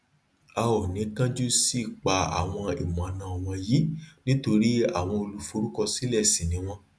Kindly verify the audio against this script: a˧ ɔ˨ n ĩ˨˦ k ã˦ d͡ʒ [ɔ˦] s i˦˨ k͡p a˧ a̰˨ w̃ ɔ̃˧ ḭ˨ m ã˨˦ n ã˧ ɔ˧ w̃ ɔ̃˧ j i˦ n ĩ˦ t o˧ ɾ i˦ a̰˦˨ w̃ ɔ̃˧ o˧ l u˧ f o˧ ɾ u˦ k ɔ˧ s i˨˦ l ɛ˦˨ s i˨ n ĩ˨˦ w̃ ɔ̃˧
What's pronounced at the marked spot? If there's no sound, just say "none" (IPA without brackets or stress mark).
u˦